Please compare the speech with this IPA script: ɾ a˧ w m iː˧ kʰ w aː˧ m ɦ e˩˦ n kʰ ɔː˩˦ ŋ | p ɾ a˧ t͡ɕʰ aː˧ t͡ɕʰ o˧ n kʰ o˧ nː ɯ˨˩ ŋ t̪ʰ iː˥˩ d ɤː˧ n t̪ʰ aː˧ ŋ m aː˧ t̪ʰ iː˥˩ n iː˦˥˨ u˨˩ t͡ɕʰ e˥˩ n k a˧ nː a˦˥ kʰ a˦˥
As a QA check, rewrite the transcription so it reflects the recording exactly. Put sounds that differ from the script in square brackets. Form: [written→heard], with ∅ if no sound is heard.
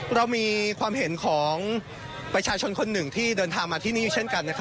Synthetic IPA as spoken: ɾ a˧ w m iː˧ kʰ w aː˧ m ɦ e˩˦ n kʰ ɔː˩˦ ŋ | p ɾ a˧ t͡ɕʰ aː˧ t͡ɕʰ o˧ n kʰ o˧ nː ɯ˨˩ ŋ t̪ʰ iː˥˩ d ɤː˧ n t̪ʰ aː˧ ŋ m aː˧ t̪ʰ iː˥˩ n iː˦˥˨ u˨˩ t͡ɕʰ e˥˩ n k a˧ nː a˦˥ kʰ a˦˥